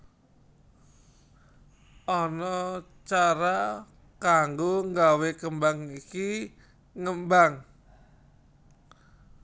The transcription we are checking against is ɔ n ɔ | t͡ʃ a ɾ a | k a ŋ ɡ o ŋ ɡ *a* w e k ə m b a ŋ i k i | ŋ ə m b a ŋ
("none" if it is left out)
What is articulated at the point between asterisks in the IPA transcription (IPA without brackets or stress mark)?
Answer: a